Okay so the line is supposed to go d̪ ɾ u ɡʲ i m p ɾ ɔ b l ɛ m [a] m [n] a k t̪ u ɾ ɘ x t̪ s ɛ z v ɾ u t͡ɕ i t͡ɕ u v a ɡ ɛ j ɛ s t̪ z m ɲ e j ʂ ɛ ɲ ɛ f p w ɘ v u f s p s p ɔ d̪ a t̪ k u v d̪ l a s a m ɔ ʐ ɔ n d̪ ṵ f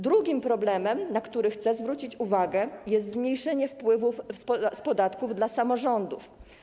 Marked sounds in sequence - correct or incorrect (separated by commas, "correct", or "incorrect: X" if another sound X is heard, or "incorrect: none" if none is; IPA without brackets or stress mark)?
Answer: incorrect: ɛ, correct